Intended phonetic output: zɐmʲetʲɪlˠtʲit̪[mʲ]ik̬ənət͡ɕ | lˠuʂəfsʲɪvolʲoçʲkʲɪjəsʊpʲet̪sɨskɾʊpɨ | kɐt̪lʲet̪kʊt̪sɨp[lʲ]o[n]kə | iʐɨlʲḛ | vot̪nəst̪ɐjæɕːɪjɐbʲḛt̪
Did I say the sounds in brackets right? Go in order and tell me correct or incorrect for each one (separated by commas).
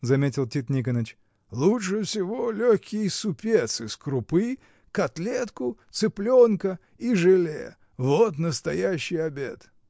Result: incorrect, correct, correct